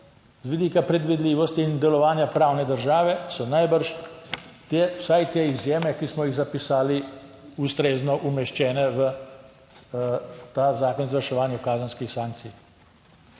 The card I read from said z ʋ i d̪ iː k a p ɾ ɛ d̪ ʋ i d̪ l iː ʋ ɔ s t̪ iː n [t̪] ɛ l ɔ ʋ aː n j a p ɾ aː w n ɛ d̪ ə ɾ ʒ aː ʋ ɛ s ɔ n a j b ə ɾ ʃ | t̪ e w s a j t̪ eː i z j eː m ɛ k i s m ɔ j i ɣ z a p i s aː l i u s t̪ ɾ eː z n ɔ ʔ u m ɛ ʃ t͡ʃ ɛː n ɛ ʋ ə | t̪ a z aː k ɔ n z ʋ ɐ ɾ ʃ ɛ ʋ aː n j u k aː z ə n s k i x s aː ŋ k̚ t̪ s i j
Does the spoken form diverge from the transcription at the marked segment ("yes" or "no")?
yes